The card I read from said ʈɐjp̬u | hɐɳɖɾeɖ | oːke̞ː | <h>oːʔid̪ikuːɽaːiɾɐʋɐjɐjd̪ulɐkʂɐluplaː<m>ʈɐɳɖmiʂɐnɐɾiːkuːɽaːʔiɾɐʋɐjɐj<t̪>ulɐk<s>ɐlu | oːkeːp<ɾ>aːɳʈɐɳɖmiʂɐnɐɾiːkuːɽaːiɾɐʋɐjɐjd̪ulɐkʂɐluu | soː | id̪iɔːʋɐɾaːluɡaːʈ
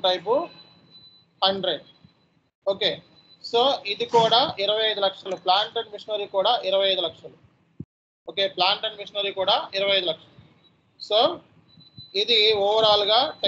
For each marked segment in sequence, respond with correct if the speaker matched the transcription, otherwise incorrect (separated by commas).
incorrect, incorrect, incorrect, incorrect, incorrect